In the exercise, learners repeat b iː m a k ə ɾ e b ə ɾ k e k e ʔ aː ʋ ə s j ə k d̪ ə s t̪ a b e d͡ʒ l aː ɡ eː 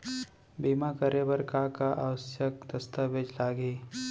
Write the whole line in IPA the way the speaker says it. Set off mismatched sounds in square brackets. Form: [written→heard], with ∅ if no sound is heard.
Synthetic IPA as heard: b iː m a k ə ɾ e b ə ɾ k [e→a] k [e→a] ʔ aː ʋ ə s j ə k d̪ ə s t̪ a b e d͡ʒ l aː ɡ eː